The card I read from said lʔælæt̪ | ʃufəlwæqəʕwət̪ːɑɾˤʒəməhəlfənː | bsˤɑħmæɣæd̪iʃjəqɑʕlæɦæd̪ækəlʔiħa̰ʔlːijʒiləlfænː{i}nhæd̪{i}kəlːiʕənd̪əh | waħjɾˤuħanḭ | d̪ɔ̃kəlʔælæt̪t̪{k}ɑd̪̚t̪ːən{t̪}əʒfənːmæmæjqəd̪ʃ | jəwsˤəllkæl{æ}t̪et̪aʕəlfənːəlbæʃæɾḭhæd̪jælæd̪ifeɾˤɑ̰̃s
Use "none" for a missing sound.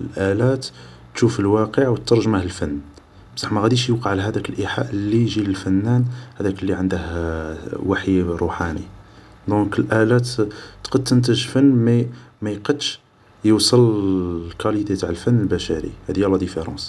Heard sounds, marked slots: æ, æ, q, t̪, i

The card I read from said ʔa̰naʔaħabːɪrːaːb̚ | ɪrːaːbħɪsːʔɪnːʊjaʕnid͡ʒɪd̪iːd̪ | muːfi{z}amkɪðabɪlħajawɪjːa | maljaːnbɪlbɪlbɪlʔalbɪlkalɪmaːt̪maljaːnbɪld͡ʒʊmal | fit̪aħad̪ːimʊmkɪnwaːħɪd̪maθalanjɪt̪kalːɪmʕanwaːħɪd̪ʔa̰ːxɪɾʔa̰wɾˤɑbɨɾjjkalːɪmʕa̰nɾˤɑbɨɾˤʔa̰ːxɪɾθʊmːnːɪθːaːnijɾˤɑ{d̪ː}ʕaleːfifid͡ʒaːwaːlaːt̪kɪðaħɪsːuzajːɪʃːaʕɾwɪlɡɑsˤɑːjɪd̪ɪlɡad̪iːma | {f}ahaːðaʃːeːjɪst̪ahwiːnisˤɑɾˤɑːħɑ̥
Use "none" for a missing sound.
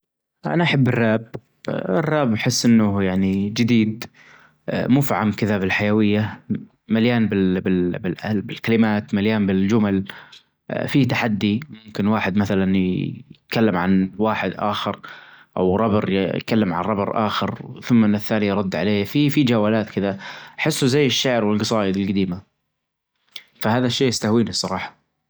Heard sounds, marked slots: ʕ, d̪ː, f

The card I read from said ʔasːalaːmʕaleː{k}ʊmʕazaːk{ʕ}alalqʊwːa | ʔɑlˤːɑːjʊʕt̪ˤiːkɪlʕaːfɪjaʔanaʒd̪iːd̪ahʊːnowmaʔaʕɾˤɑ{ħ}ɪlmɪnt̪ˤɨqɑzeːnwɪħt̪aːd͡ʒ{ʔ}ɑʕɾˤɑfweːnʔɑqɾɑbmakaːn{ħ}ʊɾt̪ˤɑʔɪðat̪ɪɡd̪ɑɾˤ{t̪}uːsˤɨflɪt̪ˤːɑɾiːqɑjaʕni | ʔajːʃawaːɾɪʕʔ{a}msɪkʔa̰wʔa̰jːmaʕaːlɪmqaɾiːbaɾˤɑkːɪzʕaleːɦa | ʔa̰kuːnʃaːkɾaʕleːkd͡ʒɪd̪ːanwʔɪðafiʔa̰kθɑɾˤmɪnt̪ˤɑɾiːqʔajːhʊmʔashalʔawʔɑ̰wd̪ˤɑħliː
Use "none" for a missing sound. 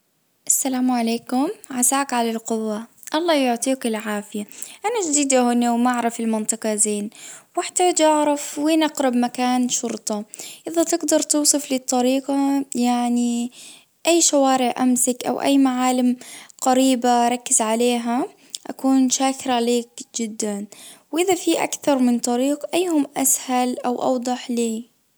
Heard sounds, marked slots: k, ʕ, f, ʔ, ʃ, t̪, a

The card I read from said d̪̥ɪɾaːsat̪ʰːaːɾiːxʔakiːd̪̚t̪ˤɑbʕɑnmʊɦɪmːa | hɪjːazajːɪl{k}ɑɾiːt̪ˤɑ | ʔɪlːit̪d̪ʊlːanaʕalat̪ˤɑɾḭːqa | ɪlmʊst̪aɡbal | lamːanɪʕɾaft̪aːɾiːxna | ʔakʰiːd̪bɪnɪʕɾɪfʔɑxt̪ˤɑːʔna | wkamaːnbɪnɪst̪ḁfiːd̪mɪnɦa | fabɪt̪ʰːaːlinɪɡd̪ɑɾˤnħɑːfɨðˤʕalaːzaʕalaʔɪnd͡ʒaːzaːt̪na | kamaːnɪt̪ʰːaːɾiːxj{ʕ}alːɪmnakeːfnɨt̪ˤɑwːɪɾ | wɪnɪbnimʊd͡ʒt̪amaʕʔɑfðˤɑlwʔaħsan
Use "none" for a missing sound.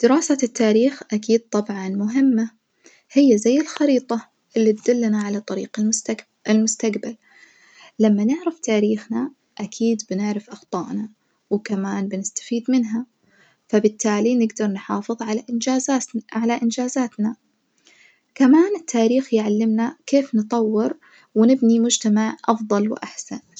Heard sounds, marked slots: x, ʕ

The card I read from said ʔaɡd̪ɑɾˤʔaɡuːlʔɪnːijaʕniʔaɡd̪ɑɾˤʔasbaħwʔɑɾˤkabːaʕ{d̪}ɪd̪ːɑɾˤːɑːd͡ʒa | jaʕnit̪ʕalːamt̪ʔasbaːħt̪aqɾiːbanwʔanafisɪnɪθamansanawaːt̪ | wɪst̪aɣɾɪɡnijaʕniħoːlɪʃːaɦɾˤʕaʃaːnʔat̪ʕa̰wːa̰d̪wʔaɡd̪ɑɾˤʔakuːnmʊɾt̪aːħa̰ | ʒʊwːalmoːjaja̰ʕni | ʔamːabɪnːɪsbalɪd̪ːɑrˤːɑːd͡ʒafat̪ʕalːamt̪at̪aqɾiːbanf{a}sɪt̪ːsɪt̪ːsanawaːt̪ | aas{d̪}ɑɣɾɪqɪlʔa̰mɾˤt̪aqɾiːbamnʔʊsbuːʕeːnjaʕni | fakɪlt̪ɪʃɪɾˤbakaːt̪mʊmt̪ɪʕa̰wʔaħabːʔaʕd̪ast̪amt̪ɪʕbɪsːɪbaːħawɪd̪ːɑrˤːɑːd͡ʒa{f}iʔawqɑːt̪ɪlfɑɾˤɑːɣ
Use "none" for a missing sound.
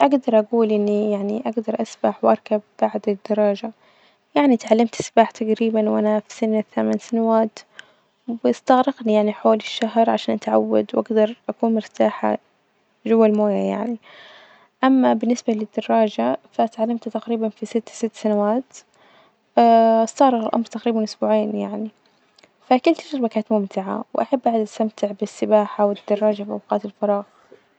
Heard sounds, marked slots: d̪, i, t̪, f

